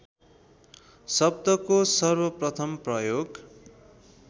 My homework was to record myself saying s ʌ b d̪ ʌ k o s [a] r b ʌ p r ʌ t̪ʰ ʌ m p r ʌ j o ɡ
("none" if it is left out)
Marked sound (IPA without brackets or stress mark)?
ʌ